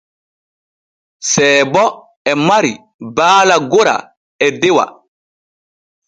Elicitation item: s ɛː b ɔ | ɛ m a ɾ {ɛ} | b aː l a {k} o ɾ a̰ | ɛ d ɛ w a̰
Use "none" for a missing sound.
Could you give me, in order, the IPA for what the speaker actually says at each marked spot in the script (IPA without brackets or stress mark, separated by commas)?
i, ɡ